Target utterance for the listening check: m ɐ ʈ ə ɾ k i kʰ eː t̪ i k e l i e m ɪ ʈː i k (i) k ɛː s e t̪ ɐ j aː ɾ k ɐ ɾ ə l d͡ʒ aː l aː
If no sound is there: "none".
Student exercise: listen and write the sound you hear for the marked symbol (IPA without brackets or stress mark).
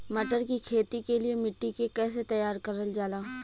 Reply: e